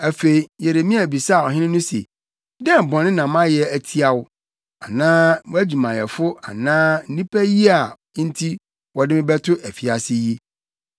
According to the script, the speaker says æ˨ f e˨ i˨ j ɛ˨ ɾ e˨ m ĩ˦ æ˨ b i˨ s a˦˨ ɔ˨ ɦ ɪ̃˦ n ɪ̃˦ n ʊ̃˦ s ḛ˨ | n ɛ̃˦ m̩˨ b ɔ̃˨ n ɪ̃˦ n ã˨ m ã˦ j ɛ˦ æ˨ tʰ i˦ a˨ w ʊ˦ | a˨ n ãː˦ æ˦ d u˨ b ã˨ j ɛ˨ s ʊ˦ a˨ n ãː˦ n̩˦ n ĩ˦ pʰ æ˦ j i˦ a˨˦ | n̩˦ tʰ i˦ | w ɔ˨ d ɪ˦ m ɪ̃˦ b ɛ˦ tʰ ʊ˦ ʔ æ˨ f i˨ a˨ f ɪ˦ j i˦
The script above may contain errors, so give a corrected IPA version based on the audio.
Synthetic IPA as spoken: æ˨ f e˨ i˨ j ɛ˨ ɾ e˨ m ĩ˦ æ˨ b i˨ s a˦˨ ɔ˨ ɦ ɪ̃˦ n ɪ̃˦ n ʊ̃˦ s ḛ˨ | d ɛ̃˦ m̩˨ b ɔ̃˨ n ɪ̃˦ n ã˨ m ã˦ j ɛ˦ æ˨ tʰ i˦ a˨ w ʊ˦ | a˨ n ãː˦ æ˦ d͡ʑ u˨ m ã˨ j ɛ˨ f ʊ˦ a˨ n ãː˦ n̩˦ n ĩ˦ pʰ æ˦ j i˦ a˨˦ | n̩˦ tʰ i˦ | w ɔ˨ d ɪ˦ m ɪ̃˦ b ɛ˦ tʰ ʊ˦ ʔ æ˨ f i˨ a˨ s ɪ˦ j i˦